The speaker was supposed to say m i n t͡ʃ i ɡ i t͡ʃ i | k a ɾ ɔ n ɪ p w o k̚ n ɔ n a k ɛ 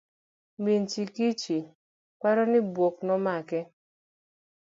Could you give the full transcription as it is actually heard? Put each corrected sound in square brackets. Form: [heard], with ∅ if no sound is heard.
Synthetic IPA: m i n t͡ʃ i [k] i t͡ʃ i | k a ɾ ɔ n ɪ [b] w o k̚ n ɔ [m] a k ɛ